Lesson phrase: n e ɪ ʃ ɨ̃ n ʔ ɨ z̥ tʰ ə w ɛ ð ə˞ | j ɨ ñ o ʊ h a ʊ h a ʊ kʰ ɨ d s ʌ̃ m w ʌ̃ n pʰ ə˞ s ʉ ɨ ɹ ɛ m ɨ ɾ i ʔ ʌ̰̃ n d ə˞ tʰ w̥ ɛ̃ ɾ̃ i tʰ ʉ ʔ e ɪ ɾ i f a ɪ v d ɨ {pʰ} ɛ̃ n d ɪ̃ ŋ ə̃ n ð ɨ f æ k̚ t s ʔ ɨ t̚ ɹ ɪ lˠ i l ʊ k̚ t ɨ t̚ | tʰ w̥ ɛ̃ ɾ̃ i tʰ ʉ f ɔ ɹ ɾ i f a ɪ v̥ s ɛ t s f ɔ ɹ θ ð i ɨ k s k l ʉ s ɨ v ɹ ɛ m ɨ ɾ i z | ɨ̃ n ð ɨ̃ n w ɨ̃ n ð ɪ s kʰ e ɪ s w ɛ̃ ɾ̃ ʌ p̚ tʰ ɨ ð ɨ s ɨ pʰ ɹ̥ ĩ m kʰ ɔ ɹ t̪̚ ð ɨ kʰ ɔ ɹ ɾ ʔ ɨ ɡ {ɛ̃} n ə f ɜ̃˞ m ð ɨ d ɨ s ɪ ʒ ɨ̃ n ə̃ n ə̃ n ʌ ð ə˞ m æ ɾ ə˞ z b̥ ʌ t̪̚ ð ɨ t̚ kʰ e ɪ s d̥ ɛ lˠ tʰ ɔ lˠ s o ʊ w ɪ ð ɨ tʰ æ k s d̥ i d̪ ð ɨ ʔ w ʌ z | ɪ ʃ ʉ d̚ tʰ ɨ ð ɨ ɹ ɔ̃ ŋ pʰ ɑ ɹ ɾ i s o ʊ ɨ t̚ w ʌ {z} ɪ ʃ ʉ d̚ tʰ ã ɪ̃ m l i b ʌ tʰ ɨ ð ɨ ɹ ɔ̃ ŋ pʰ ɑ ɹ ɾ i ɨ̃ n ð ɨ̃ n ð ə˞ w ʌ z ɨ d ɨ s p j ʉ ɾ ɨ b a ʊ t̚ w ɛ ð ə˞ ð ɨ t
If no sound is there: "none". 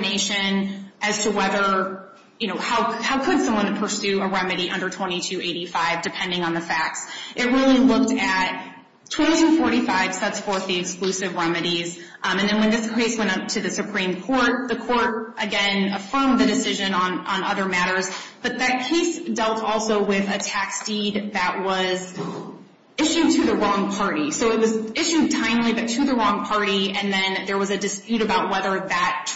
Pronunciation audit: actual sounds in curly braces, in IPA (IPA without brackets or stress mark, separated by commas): pʰ, ɛ̃, z